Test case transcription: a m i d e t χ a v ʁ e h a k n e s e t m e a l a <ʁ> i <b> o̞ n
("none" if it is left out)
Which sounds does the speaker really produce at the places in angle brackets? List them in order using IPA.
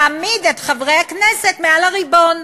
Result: ʁ, b

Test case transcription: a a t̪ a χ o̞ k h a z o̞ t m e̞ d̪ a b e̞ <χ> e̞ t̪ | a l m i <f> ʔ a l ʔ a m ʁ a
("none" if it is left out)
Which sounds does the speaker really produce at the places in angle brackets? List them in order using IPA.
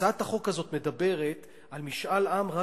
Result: ʁ, ʃ

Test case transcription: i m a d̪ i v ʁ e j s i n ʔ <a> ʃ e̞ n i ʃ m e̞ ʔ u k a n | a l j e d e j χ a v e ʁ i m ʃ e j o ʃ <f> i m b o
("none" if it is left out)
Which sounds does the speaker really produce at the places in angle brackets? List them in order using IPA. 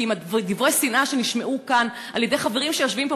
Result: a, v

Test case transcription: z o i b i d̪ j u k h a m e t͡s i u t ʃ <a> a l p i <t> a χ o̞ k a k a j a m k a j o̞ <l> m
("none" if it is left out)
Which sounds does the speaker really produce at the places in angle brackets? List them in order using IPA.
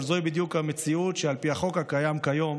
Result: e, none, none

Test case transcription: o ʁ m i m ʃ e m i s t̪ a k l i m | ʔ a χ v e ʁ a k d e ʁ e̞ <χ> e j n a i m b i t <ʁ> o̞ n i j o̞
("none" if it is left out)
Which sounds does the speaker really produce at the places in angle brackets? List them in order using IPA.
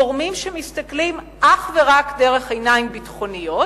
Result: χ, χ

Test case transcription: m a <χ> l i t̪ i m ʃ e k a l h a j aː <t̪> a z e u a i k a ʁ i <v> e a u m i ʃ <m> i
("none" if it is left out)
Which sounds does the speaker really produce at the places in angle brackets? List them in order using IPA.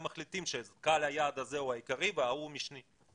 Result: χ, d̪, v, n

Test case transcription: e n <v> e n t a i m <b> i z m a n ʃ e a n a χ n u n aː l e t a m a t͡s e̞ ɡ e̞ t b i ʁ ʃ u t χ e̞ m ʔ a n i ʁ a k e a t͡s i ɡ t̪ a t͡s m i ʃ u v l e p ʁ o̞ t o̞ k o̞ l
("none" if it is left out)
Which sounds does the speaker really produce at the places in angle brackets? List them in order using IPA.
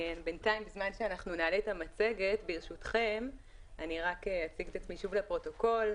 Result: b, b

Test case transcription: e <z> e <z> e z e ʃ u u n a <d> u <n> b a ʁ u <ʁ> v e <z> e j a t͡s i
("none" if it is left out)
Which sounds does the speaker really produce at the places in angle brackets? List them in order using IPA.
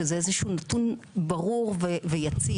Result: z, none, t, n, ʁ, v

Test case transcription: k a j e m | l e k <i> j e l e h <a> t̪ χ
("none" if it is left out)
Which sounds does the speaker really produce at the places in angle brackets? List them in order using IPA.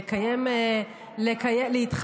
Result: a, i

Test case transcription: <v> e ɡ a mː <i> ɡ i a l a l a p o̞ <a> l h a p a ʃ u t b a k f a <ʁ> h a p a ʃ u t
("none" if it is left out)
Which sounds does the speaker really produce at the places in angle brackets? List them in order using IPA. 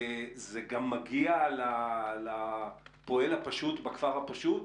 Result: z, a, e, ʁ

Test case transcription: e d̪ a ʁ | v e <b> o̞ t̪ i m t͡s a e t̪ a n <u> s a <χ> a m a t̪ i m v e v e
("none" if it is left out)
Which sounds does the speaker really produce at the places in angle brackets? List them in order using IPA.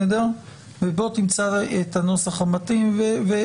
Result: b, o, χ

